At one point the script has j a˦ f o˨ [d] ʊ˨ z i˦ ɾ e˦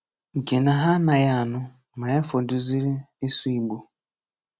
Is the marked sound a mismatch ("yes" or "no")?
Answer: no